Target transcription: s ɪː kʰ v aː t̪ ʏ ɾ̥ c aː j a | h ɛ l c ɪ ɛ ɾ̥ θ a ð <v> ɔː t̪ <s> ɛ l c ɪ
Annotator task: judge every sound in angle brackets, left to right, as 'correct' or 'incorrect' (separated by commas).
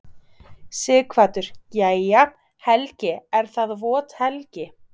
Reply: correct, incorrect